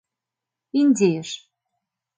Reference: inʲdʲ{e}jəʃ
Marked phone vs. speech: correct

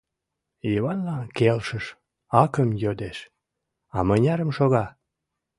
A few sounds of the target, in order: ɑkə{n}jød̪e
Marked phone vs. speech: incorrect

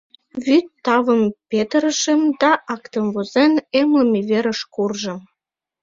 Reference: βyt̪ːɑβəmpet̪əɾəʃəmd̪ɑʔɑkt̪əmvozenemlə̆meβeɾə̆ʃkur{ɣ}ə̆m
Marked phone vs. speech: incorrect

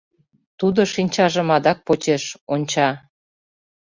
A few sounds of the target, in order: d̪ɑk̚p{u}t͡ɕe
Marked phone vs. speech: incorrect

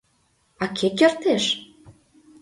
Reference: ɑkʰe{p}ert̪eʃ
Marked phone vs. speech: incorrect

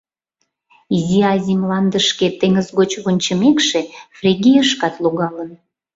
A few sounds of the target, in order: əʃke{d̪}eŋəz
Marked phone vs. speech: incorrect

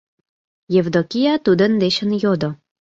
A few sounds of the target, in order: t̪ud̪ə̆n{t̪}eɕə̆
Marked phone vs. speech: incorrect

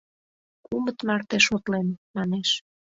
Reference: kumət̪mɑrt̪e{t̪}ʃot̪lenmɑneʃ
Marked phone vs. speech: incorrect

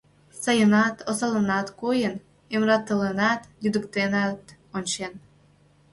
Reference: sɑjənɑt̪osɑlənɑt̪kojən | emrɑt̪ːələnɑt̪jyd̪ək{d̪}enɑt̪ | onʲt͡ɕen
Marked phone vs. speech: incorrect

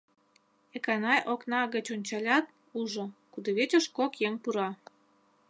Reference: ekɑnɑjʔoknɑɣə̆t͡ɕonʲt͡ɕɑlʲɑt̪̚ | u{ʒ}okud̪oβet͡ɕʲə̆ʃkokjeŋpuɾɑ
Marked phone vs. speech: correct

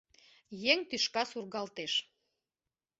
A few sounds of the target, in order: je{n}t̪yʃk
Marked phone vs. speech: incorrect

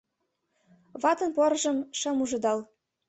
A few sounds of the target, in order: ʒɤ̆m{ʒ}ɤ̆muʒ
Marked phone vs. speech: incorrect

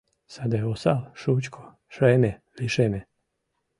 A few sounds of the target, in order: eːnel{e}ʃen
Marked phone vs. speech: incorrect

